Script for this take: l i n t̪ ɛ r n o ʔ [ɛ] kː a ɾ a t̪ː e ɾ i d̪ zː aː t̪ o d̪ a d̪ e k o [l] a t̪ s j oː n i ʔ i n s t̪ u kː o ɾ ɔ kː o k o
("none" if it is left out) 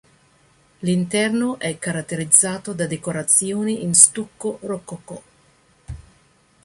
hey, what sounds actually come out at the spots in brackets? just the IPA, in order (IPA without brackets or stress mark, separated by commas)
ɛ, ɾ